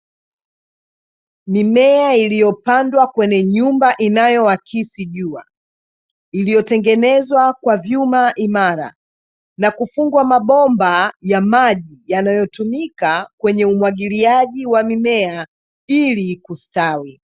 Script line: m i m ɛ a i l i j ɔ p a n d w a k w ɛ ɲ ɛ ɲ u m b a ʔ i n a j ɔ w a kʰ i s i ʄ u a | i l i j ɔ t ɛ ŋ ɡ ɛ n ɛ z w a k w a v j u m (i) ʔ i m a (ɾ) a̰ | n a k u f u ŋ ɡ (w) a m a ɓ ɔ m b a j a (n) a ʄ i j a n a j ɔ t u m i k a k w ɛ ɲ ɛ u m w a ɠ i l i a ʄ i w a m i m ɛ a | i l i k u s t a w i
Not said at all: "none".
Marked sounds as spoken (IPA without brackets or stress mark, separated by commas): a, ɾ, w, m